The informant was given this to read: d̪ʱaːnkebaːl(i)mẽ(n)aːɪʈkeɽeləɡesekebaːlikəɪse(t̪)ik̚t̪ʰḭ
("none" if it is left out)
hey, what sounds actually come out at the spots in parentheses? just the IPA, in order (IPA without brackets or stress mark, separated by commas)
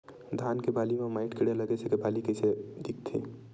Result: i, m, d̪